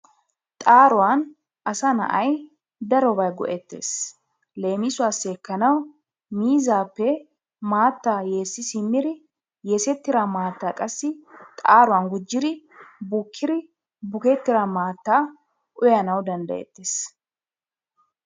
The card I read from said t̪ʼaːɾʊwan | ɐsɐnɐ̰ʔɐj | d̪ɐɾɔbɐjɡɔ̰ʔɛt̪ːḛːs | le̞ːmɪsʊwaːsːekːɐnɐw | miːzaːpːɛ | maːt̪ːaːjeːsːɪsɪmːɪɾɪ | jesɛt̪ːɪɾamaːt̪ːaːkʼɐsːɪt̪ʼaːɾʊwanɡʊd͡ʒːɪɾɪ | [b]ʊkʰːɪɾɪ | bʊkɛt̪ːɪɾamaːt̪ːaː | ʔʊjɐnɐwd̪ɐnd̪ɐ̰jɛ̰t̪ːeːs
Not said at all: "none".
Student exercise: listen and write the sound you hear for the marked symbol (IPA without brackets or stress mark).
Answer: b